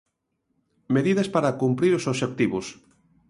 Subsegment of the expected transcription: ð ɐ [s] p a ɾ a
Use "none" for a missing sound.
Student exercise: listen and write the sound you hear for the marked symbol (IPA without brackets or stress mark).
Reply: s